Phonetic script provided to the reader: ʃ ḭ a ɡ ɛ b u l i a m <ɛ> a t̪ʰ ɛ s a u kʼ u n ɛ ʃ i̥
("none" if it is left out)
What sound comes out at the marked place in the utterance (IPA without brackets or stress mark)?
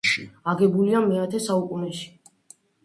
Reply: ɛ